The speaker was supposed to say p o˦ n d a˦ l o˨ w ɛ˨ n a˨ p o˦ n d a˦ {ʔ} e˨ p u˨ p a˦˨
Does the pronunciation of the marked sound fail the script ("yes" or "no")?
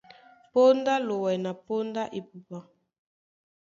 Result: no